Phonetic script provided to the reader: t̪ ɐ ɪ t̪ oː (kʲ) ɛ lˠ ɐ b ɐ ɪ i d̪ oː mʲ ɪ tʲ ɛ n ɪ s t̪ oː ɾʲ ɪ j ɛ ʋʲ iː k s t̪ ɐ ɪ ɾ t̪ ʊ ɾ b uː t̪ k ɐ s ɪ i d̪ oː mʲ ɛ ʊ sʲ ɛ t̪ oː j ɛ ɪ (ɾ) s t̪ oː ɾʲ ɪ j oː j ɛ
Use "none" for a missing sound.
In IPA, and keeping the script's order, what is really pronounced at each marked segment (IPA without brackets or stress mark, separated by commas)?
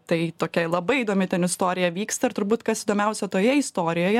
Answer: kʲ, none